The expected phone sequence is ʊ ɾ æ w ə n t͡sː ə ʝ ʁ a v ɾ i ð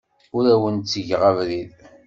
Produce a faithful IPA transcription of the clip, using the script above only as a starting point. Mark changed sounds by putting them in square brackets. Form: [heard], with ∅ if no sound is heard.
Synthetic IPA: ʊ ɾ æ w ə n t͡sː ə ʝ ʁ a v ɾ i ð

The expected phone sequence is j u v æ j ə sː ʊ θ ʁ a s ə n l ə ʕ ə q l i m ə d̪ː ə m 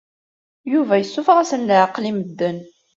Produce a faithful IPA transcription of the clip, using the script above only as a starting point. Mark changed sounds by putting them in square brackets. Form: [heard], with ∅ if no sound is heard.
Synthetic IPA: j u v æ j ə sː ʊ [f] ʁ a s ə n l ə ʕ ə q l i m ə d̪ː ə [n]

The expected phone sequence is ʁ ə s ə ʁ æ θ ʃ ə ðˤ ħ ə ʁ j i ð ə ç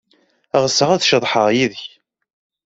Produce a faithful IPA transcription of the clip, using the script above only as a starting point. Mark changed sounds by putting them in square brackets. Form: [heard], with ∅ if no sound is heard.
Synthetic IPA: ʁ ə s ə ʁ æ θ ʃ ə ðˤ ħ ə ʁ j i ð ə ç

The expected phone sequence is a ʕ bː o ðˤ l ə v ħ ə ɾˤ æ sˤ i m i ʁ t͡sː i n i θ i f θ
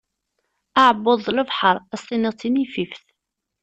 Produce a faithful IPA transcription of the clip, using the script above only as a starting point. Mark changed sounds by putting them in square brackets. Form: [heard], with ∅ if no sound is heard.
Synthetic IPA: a ʕ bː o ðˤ l ə v ħ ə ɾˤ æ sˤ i [n] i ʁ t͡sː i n i [f] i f θ

